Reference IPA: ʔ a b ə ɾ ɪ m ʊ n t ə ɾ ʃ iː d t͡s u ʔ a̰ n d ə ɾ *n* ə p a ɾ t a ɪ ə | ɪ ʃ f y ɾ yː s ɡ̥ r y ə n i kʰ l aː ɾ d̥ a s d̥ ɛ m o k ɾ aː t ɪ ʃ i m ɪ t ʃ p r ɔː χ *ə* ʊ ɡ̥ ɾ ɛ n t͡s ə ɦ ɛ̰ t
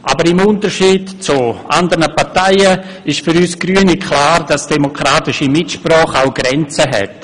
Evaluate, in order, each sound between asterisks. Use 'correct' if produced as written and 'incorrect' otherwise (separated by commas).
correct, incorrect